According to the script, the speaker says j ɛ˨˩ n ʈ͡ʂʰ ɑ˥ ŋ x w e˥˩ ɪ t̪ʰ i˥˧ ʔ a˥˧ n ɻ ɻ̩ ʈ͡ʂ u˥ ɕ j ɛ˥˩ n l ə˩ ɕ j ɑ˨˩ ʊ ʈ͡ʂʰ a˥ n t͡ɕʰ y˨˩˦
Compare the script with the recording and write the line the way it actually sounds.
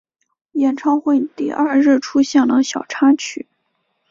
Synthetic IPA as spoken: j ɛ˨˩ n ʈ͡ʂʰ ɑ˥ ŋ x w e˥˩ ɪ t̪ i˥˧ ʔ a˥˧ ɻ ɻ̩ ʈ͡ʂʰ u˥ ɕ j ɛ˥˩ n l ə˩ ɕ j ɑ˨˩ ʊ ʈ͡ʂʰ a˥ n t͡ɕʰ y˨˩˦